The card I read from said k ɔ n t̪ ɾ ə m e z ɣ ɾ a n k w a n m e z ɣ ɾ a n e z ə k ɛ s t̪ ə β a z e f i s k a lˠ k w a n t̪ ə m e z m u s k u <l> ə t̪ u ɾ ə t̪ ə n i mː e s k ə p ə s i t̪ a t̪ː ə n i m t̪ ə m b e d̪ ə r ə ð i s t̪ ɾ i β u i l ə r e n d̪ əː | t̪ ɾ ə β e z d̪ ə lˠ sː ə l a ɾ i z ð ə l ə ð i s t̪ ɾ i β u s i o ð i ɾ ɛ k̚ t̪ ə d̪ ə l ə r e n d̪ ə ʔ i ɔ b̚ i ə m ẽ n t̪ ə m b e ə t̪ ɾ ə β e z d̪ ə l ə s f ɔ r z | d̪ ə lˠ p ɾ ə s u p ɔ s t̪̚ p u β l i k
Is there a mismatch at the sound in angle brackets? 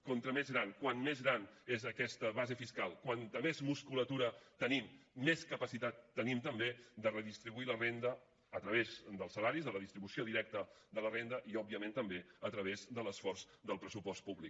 no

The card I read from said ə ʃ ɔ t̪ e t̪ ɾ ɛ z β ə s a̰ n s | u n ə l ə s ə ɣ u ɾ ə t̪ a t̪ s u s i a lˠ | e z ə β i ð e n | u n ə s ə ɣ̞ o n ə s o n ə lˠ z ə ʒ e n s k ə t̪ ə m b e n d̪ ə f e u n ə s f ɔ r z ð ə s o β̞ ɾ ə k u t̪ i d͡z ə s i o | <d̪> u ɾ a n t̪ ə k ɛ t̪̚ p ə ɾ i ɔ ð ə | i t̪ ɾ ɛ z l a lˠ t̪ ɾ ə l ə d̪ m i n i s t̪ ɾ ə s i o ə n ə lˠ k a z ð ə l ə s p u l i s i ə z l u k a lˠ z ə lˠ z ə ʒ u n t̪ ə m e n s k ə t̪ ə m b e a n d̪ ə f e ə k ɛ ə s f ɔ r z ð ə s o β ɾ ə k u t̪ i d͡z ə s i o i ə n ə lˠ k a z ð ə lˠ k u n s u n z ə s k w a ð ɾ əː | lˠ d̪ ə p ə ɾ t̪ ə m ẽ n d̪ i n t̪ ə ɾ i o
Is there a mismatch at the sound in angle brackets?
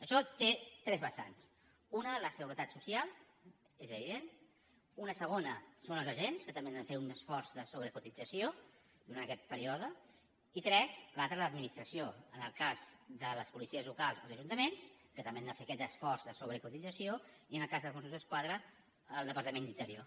no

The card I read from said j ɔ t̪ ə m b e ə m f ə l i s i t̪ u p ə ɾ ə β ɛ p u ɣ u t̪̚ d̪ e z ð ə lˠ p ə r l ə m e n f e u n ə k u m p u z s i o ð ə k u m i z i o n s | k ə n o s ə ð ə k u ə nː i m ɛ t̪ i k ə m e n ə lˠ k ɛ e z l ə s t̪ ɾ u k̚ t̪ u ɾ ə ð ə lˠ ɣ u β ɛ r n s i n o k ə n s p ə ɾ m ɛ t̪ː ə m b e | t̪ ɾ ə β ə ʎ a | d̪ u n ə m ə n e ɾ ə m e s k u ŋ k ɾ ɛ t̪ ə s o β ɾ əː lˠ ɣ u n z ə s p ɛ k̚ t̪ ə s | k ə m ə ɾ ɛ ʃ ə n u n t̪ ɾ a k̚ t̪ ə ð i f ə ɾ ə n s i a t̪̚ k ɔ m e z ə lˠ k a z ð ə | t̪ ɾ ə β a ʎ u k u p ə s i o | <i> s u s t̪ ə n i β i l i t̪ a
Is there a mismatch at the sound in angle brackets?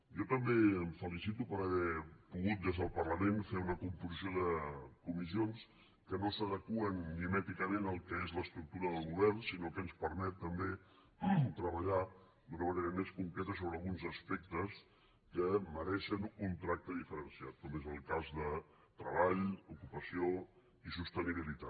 no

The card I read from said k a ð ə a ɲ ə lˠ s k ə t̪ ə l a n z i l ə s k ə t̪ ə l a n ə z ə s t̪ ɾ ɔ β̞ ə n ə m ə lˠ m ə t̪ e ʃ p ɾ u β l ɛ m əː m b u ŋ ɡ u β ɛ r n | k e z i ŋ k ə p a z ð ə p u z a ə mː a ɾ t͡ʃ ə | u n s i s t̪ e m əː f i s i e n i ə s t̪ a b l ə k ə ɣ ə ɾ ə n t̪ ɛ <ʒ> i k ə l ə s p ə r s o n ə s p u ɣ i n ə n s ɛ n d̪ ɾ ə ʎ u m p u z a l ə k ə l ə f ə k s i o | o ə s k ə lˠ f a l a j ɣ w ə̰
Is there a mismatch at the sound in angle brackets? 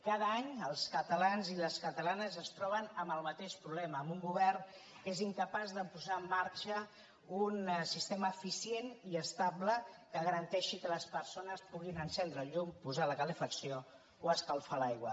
yes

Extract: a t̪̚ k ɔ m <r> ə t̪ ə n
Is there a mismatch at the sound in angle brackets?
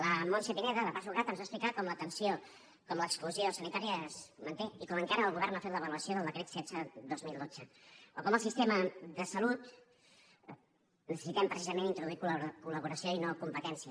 yes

